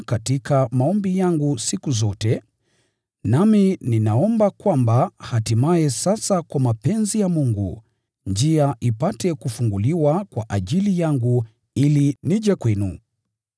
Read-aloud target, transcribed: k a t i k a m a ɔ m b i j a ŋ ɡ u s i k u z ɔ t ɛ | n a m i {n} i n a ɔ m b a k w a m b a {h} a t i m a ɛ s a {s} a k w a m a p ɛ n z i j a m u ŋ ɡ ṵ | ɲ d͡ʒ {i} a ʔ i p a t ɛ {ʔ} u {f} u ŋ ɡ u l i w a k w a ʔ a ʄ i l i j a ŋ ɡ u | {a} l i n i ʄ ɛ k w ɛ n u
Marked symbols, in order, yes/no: yes, yes, yes, yes, no, yes, no

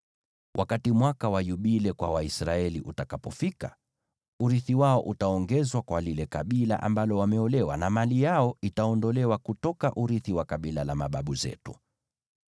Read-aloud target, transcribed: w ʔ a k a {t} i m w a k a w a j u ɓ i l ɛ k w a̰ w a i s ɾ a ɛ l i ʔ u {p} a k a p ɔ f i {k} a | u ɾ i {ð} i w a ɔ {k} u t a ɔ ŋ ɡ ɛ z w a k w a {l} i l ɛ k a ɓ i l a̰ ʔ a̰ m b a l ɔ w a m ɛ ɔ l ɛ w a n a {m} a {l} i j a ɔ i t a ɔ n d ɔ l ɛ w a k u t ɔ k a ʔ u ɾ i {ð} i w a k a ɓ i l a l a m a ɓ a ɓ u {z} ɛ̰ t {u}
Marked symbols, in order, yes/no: yes, no, yes, no, no, yes, yes, yes, no, yes, yes

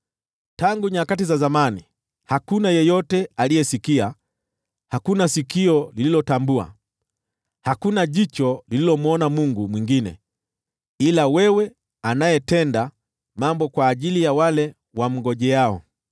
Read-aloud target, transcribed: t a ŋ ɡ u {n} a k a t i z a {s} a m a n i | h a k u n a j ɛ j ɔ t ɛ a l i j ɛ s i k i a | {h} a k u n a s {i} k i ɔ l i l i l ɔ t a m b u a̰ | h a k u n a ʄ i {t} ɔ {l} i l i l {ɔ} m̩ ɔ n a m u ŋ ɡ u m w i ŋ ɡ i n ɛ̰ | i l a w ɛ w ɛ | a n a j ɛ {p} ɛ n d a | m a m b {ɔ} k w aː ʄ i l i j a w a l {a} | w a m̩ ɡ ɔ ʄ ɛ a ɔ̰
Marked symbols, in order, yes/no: no, no, yes, yes, no, yes, yes, no, yes, no

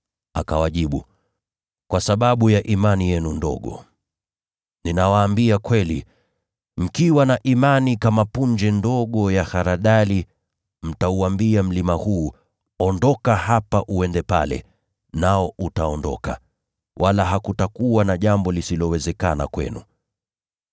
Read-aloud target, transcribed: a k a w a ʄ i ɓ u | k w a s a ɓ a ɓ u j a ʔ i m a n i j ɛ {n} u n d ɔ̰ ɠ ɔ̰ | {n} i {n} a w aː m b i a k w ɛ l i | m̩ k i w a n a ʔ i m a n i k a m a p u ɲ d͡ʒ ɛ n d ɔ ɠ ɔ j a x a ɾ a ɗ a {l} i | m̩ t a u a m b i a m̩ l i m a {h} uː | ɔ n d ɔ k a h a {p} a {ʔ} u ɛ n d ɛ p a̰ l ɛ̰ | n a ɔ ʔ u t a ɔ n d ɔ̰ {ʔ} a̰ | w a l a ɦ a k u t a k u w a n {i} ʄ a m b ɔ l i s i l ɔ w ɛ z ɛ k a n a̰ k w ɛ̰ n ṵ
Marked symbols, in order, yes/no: yes, yes, yes, yes, yes, yes, yes, no, no

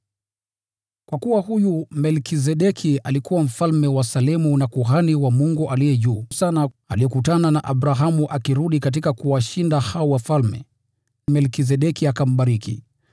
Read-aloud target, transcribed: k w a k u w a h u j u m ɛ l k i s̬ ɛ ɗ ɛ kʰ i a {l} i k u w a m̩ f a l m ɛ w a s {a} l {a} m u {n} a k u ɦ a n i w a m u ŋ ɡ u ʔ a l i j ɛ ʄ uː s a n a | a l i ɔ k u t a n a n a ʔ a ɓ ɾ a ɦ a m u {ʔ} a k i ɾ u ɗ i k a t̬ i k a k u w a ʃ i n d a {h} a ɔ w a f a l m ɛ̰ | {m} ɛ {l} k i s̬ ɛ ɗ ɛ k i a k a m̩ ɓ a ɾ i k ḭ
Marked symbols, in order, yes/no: yes, yes, no, yes, yes, yes, yes, yes

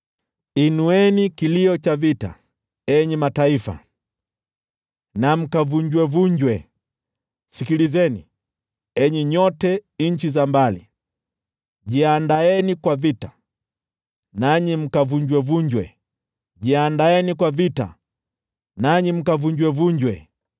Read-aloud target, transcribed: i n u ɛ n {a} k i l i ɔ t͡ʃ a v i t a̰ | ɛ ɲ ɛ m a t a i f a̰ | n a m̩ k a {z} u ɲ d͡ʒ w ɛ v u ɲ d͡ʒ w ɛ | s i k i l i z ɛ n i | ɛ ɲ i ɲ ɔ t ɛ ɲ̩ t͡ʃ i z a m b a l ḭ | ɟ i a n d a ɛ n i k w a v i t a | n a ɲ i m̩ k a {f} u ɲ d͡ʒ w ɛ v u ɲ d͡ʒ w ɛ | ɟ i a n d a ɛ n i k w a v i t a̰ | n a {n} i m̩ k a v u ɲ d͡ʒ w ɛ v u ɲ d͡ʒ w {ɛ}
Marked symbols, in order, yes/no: no, no, no, no, yes

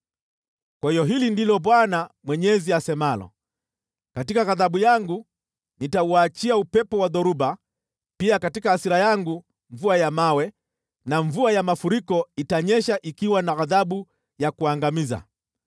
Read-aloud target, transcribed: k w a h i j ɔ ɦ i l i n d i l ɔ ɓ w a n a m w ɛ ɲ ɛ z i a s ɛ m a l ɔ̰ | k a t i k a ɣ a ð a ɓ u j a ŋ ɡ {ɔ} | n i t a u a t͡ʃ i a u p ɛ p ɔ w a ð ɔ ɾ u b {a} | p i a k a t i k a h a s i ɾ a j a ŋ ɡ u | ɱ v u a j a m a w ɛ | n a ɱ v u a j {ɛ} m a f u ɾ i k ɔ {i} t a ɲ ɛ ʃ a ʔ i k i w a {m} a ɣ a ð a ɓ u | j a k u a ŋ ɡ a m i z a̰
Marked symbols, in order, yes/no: no, yes, no, yes, no

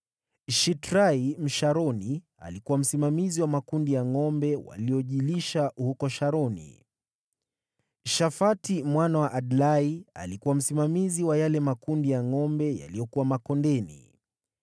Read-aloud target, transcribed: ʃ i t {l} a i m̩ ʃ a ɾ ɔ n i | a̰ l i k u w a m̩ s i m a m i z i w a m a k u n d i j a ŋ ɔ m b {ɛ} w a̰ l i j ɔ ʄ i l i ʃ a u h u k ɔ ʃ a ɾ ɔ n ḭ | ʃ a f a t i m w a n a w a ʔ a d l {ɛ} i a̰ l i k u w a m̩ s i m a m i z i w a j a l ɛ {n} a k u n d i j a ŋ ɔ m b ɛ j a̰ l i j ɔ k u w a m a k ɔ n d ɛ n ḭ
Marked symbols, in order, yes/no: no, yes, no, no

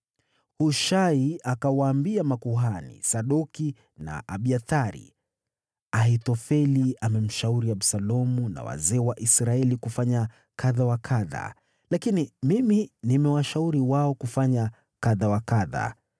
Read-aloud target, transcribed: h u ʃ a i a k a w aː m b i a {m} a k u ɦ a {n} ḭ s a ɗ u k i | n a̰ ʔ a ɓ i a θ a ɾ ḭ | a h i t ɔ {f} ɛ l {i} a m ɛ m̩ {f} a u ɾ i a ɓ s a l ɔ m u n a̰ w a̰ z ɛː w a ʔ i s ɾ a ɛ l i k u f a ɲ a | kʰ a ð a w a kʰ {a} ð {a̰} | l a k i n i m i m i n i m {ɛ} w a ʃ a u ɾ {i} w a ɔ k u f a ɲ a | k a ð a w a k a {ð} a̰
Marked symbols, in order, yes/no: yes, yes, yes, yes, no, yes, yes, yes, yes, yes

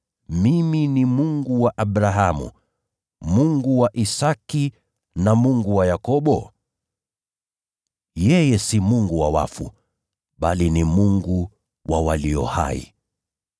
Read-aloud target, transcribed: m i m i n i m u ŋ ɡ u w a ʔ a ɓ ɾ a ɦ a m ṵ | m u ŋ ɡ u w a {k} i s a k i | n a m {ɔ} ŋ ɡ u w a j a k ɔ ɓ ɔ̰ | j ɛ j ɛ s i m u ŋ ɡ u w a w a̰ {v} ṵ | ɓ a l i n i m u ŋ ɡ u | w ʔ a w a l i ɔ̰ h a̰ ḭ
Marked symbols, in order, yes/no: no, no, no

